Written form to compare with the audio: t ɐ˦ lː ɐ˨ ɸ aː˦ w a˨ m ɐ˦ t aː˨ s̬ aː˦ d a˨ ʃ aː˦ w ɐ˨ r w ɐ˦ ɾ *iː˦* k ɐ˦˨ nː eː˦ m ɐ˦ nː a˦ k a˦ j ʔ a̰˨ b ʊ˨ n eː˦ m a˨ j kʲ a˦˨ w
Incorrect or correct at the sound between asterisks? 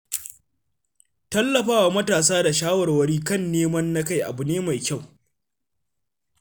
correct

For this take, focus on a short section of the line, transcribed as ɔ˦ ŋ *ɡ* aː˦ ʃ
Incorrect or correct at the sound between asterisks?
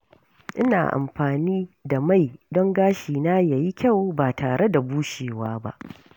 correct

